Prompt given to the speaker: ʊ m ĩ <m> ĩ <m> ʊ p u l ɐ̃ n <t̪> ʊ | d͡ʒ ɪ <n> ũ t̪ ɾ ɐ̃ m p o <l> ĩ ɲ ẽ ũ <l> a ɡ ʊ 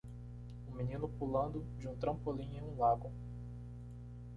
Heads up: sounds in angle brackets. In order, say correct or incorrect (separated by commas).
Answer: incorrect, incorrect, incorrect, incorrect, correct, correct